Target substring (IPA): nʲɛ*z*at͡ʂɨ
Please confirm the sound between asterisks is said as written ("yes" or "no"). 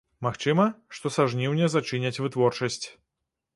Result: yes